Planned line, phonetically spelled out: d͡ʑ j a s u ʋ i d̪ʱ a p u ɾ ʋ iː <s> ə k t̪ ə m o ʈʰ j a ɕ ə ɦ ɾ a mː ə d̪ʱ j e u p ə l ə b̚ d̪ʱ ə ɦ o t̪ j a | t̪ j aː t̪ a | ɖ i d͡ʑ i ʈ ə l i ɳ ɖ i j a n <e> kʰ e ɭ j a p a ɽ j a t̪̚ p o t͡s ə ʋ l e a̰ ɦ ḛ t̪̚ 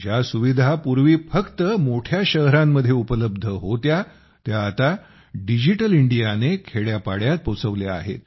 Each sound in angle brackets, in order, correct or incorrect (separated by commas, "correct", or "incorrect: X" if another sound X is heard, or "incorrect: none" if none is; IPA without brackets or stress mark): incorrect: f, correct